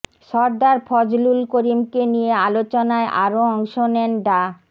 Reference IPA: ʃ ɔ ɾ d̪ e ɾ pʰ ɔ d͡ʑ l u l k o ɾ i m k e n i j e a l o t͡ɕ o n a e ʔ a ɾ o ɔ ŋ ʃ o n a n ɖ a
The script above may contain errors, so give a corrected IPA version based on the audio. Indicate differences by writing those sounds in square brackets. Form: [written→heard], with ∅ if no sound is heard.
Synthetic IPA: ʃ ɔ ɾ d̪ [e→a] ɾ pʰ ɔ d͡ʑ l u l k o ɾ i m k e n i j e a l o t͡ɕ o n a e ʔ a ɾ o ɔ ŋ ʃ o n [a→ɛ] n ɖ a